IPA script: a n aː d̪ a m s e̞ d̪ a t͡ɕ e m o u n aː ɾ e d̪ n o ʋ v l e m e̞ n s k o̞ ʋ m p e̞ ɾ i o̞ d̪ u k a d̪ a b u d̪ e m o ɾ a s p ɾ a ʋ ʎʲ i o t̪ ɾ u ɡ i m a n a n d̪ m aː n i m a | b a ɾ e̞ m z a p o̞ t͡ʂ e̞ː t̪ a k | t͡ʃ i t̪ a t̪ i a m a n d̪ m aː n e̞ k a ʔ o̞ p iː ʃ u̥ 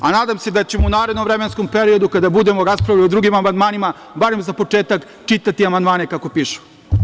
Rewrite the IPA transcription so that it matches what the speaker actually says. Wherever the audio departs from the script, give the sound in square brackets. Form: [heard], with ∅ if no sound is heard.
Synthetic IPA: a n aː d̪ a m s e̞ d̪ a t͡ɕ e m o u n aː ɾ e d̪ n o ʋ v [ɾ] e m e̞ n s k o̞ [∅] m p e̞ ɾ i o̞ d̪ u k a d̪ a b u d̪ e m o ɾ a s p ɾ a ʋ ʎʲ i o [d̪] ɾ u ɡ i m a [m] a n d̪ m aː n i m a | b a ɾ e̞ m z a p o̞ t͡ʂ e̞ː t̪ a k | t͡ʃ i t̪ a t̪ i a m a n d̪ m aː n e̞ k a [k] o̞ p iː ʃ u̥